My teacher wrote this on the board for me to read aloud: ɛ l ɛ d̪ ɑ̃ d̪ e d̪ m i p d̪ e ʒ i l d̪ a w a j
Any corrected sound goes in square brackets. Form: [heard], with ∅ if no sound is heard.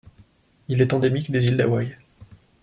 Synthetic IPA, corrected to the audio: [i] l ɛ [t̪] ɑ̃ d̪ e [∅] m i [k] d̪ e [z] i l d̪ a w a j